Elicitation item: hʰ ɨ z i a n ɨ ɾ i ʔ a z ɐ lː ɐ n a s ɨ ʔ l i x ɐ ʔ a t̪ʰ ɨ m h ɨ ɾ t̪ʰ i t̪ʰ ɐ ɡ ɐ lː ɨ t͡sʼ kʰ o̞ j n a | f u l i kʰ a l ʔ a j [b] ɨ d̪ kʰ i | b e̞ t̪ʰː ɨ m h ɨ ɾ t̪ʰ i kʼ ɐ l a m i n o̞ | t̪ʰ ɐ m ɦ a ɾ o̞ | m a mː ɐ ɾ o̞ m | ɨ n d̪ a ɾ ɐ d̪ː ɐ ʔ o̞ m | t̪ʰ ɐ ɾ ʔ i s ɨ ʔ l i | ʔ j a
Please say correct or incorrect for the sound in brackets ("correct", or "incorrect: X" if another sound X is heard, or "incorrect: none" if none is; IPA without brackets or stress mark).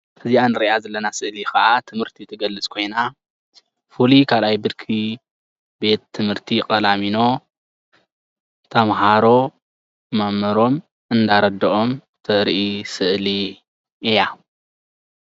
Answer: correct